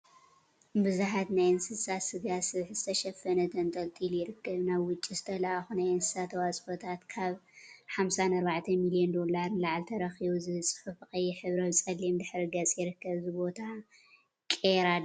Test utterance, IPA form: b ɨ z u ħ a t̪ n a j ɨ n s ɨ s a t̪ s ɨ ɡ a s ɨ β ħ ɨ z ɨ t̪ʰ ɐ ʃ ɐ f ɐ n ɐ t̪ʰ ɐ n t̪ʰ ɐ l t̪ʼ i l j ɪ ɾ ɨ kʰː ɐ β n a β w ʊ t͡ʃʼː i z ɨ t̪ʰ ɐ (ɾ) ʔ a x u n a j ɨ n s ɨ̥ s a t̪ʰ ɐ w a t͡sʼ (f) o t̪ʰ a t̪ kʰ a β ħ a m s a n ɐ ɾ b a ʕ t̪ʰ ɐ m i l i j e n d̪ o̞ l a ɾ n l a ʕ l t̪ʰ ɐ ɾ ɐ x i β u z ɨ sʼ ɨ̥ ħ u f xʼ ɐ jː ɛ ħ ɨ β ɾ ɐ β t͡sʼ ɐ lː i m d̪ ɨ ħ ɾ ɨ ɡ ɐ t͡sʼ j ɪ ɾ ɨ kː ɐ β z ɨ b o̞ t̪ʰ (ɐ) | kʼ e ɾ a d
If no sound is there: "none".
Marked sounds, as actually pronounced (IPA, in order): l, f, a

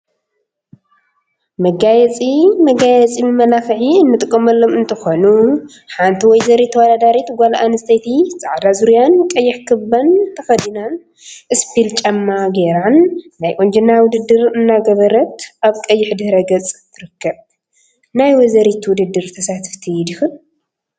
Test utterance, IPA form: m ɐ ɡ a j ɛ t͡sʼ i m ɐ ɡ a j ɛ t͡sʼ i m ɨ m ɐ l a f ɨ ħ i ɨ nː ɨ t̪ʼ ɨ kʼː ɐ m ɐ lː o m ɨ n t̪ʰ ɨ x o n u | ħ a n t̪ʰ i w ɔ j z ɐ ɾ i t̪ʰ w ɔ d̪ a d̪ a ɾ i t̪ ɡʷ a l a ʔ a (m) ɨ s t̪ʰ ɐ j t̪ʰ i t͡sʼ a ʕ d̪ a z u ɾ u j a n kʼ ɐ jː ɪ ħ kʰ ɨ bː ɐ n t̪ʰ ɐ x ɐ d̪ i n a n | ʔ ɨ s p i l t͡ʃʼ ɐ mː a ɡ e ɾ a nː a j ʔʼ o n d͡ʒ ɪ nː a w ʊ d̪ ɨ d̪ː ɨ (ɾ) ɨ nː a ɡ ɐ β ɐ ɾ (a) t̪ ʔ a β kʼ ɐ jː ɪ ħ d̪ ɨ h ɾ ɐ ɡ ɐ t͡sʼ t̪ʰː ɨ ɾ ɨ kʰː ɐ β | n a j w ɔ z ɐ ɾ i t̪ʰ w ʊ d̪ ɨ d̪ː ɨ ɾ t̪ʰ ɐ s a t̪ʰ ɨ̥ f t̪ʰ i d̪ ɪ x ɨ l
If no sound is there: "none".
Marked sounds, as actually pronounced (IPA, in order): n, ɾ, ɐ

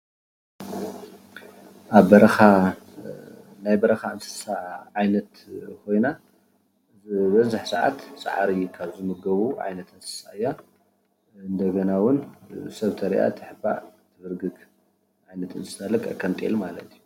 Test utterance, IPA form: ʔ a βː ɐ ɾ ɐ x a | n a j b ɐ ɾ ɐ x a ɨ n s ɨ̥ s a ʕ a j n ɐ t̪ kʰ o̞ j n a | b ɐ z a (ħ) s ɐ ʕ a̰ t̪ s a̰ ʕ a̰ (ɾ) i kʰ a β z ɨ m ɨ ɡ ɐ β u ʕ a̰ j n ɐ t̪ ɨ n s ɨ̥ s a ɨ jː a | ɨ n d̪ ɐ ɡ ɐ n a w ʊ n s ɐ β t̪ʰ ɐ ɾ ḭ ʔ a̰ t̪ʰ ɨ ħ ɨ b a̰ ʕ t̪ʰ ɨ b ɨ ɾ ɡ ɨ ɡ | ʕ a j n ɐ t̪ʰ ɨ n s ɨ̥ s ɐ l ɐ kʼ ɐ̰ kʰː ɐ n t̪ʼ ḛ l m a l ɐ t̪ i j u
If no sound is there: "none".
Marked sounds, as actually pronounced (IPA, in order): ħ, ɾ

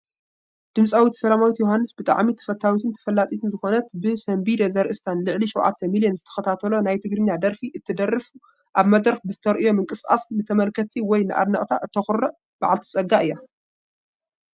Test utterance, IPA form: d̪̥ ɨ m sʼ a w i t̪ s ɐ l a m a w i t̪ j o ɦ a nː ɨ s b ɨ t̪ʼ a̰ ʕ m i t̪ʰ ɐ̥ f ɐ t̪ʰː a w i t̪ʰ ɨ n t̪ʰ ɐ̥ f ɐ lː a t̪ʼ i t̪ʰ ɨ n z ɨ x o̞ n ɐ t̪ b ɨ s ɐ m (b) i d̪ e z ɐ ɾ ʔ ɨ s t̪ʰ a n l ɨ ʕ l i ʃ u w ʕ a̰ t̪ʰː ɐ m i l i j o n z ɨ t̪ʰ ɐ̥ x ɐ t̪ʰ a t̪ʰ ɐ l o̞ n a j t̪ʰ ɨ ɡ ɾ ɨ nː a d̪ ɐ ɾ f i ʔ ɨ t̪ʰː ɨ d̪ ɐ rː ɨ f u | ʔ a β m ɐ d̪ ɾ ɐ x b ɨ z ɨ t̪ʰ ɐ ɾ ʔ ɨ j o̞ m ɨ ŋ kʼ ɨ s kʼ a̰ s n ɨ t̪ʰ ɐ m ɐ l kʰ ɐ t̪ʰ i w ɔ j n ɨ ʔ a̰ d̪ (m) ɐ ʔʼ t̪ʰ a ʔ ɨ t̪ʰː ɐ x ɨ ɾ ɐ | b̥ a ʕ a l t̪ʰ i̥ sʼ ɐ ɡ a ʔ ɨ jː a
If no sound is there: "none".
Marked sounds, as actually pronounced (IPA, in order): b, n

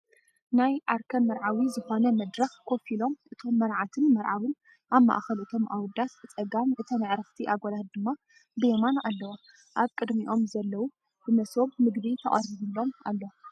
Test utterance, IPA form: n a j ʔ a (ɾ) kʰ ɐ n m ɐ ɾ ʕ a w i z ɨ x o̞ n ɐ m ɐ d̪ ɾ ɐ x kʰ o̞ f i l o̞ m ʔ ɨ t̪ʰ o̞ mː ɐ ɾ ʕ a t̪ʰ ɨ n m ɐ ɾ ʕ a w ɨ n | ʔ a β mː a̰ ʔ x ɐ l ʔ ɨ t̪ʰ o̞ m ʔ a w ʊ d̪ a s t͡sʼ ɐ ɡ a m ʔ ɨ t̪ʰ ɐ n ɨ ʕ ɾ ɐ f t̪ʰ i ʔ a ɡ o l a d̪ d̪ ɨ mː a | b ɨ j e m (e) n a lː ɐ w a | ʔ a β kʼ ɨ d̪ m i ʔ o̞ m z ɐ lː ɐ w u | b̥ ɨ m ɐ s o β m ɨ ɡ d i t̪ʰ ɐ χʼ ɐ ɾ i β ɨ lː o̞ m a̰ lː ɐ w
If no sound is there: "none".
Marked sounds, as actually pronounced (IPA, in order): ɾ, a

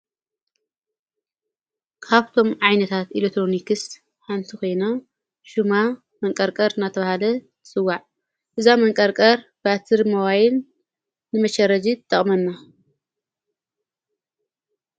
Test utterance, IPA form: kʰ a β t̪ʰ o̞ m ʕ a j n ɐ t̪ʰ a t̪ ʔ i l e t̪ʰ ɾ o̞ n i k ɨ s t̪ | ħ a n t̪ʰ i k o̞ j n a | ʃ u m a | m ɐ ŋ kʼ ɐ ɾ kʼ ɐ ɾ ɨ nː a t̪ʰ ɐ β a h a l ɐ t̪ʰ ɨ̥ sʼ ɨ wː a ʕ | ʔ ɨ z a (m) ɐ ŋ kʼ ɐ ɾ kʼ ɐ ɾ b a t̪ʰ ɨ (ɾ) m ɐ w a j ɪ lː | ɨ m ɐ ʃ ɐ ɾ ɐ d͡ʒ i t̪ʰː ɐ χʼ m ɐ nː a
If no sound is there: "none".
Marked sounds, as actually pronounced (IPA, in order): m, ɾ

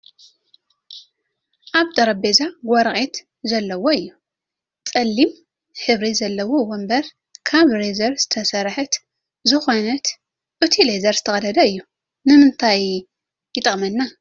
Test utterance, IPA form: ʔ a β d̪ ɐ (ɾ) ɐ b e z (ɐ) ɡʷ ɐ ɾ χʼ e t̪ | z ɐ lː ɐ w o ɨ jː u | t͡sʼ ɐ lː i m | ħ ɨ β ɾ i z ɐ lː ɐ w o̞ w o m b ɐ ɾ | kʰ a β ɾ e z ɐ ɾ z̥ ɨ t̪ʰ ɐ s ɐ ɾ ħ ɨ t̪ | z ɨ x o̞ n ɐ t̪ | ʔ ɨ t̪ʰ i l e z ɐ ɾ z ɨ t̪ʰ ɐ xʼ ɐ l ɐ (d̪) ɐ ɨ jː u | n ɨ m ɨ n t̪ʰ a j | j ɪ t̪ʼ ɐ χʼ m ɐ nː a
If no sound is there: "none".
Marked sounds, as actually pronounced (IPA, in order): ɾ, a, d̪

